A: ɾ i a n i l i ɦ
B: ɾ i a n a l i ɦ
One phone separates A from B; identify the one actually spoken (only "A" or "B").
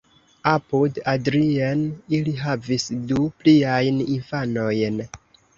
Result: A